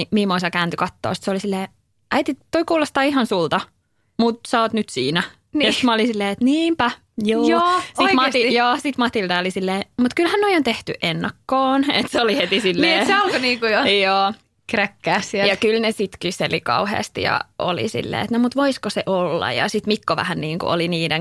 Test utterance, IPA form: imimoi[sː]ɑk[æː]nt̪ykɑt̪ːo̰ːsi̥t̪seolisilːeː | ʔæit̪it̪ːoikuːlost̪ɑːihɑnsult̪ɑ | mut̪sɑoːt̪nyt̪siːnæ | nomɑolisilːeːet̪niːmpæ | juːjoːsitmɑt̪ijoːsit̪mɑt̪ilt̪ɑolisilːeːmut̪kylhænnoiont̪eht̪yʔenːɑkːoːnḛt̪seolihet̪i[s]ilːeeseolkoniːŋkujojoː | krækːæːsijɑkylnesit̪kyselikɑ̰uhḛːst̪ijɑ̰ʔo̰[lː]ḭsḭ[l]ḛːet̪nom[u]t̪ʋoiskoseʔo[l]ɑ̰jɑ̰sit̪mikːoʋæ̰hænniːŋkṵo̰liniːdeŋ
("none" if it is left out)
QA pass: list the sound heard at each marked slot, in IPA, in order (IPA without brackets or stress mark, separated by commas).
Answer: s, æː, s, l, lː, u, lː